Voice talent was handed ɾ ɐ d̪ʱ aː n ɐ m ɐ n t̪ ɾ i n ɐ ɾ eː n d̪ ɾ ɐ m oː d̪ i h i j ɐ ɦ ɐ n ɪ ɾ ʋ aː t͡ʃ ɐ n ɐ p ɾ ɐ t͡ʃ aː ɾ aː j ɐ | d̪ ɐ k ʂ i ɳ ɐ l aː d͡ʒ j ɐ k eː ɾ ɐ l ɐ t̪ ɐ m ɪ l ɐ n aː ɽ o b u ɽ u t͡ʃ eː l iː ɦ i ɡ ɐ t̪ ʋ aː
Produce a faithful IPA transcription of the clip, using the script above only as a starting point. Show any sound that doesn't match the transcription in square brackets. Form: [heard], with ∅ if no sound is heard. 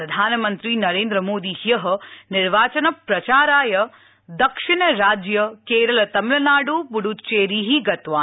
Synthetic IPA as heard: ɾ ɐ d̪ʱ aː n ɐ m ɐ n t̪ ɾ i n ɐ ɾ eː n d̪ ɾ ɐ m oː d̪ i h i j ɐ ɦ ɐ n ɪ ɾ ʋ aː t͡ʃ ɐ n ɐ p ɾ ɐ t͡ʃ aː ɾ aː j ɐ | d̪ ɐ k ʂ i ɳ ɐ [ɾ] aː d͡ʒ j ɐ k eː ɾ ɐ l ɐ t̪ ɐ m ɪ l ɐ n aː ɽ [u] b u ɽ u t͡ʃ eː [ɾ] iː ɦ i ɡ ɐ t̪ ʋ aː